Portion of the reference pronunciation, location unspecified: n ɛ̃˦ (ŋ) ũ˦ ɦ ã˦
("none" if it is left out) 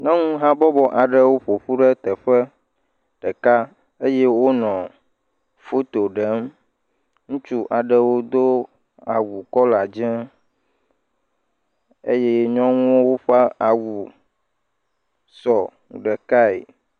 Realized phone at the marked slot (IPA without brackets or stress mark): ŋ